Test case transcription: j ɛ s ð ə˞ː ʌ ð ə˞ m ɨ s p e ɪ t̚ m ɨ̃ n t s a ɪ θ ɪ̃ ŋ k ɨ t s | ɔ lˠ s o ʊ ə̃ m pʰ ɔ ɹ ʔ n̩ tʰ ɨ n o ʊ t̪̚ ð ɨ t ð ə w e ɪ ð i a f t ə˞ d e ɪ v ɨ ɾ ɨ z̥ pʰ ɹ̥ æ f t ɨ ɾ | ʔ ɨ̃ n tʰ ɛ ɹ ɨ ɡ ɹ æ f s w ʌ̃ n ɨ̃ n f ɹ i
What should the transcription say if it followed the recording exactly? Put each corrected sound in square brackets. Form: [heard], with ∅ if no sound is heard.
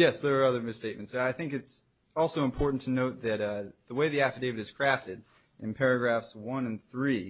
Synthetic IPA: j ɛ s ð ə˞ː ʌ ð ə˞ m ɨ s [t] e ɪ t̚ m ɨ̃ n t s a ɪ θ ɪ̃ ŋ k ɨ t s | ɔ lˠ s o ʊ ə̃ m pʰ ɔ ɹ ʔ n̩ tʰ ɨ n o ʊ t̪̚ ð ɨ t ð ə w e ɪ ð i [æ] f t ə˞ d e ɪ v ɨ ɾ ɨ z̥ [kʰ] ɹ̥ æ f t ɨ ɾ | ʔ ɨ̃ n [pʰ] ɛ ɹ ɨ ɡ ɹ æ f s w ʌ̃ n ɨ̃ n [θ] ɹ i